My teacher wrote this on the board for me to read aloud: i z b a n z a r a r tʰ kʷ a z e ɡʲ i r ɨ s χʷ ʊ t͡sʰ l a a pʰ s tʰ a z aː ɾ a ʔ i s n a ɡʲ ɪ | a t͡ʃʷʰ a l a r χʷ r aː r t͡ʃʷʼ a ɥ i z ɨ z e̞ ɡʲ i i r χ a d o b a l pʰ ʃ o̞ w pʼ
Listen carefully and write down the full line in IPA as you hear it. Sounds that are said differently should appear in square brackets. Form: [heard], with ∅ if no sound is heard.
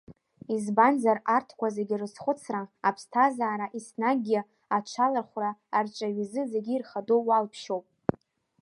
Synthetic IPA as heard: i z b a n z a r a r tʰ kʷ a z e ɡʲ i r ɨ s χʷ ʊ t͡sʰ [r] a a pʰ s tʰ a z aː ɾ a ʔ i s n a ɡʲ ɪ | a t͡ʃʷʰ a l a r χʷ r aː r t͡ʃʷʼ a ɥ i z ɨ z e̞ ɡʲ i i r χ a d o [w] a l pʰ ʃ o̞ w pʼ

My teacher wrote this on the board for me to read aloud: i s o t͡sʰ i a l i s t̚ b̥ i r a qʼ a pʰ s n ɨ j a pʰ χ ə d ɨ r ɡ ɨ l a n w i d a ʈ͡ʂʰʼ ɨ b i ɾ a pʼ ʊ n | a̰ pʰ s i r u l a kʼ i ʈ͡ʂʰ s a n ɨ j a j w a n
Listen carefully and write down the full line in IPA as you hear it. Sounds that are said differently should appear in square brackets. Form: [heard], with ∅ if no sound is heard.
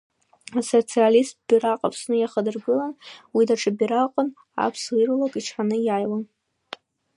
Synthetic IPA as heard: [a] s o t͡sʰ i a l i s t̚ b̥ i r a qʼ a pʰ s n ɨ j a [∅] χ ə d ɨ r ɡ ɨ l a n w i d a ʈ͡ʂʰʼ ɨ b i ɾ a [qʼ] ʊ n | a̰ pʰ s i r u l a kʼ i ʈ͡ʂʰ [ħ] a n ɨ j a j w a n

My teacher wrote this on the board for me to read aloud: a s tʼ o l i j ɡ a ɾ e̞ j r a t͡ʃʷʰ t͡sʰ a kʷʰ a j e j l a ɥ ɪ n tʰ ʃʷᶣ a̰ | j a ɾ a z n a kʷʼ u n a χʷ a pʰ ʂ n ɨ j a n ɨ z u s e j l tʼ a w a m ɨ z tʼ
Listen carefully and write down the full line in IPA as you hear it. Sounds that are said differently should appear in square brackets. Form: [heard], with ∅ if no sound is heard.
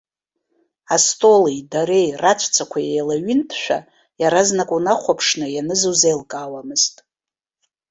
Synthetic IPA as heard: a s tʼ o l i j [d] a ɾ e̞ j r a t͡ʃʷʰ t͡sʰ a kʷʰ a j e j l a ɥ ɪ n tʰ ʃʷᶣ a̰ | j a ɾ a z n a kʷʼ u n a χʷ a pʰ ʂ n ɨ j a n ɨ z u [z] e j l [kʼ] a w a m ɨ z tʼ

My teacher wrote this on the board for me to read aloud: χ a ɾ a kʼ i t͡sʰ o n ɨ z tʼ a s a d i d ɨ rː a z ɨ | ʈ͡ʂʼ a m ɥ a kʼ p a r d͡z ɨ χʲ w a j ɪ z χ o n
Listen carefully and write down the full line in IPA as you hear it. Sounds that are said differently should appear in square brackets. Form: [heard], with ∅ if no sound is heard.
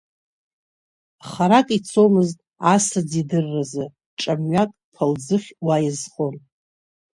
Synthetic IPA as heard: χ a ɾ a kʼ i t͡sʰ o [m] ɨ z tʼ a s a [d͡z] i d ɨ rː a z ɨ | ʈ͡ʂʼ a m ɥ a kʼ [pʰ] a [l] d͡z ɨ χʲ w a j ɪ z χ o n

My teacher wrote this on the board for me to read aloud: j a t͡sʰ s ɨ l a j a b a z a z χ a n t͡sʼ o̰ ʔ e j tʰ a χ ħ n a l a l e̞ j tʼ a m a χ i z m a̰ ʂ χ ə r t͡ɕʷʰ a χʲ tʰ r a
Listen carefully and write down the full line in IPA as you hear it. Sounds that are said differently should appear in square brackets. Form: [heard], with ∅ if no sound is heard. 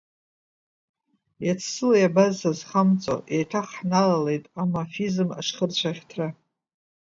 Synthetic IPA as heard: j a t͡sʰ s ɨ l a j a b a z a z χ a [m] t͡sʼ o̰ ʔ e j tʰ a χ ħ n a l a l e̞ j tʼ a m a [f] i z m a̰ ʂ χ ə r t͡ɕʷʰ a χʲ tʰ r a

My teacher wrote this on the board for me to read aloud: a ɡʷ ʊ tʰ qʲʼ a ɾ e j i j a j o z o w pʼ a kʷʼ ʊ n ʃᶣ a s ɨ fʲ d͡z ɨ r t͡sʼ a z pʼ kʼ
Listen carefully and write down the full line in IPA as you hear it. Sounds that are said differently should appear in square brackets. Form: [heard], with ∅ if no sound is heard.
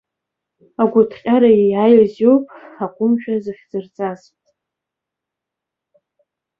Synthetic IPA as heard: a ɡʷ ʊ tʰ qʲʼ a ɾ [a] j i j a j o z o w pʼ a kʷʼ ʊ [m] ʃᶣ a [z] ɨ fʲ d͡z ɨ r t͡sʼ a z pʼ [tʼ]

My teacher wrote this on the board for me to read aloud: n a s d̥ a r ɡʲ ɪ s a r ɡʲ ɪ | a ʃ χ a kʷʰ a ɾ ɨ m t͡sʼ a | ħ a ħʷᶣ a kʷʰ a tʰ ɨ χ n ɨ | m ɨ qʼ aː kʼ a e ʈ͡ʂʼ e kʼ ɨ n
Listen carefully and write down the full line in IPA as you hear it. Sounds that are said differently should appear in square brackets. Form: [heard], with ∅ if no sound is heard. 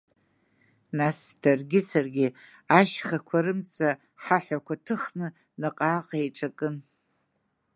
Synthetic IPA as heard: n a s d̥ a r ɡʲ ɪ s a r ɡʲ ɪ | a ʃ χ a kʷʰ a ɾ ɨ m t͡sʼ a | ħ a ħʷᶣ a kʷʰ a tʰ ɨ χ n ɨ | [n] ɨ qʼ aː [qʼ] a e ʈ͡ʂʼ [a] kʼ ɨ n

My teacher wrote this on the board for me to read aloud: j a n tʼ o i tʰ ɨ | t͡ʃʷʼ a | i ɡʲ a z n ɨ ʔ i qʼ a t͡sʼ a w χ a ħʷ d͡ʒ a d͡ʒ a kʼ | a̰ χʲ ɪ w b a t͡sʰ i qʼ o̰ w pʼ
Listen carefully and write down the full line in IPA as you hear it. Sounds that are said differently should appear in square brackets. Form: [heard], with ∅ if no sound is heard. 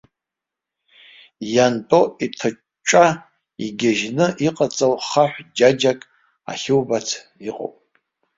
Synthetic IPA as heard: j a n tʼ o i tʰ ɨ | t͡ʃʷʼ a | i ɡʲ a [ʒ] n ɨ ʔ i qʼ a t͡sʼ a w χ a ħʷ d͡ʒ a d͡ʒ a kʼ | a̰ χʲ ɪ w b a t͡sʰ i qʼ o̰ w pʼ

